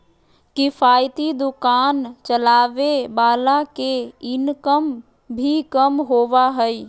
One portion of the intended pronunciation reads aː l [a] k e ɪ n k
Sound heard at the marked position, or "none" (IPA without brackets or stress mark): a